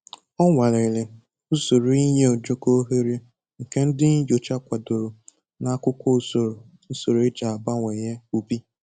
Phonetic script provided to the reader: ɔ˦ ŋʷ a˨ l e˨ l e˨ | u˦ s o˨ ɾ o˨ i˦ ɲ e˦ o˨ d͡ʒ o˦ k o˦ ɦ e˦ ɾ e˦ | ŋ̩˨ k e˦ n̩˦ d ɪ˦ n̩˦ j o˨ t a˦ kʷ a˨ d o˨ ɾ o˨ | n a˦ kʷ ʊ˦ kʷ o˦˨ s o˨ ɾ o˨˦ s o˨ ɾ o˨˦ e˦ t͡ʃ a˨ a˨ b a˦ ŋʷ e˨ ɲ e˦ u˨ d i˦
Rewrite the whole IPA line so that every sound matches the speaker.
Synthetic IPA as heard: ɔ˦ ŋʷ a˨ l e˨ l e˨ | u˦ s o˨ ɾ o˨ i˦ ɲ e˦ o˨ d͡ʒ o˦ k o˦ ɦ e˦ ɾ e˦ | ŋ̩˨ k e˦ n̩˦ d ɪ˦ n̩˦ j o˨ t͡ʃ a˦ kʷ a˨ d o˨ ɾ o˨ | n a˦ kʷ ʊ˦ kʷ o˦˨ s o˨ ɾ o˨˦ s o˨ ɾ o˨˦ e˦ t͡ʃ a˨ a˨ b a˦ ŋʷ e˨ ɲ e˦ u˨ b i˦